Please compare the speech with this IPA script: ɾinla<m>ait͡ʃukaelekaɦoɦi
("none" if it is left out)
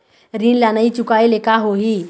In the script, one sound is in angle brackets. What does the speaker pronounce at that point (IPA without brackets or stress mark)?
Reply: n